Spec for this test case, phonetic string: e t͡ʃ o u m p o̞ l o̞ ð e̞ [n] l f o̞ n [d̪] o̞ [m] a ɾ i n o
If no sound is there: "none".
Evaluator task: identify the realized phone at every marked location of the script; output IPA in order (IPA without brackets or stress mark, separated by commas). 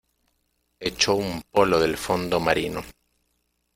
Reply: none, d̪, m